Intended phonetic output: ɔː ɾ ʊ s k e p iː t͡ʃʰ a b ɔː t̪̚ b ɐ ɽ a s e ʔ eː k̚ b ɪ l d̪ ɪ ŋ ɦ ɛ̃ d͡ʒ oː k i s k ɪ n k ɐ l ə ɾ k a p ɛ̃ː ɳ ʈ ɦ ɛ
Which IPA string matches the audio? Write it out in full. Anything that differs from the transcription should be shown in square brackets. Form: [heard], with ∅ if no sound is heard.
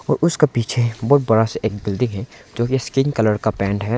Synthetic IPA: ɔː ɾ ʊ s k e p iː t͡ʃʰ [e] b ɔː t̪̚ b ɐ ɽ a s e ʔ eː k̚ b ɪ l d̪ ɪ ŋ ɦ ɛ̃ d͡ʒ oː k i s k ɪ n k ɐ l ə ɾ k a p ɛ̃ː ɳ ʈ ɦ ɛ